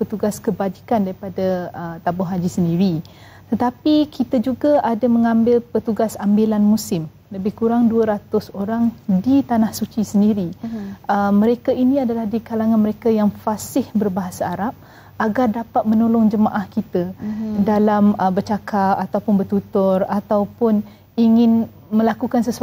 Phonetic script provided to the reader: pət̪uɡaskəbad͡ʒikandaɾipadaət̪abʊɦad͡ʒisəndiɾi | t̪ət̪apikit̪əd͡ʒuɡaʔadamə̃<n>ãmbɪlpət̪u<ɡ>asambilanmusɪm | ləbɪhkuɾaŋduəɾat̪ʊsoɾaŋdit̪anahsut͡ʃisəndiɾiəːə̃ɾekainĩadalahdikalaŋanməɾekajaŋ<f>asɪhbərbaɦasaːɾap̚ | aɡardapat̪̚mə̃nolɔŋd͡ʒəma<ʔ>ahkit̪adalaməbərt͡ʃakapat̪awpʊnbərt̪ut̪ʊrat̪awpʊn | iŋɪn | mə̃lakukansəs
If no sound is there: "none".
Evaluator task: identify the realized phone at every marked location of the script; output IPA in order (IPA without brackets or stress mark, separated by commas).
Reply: ŋ, ɡ, f, ʔ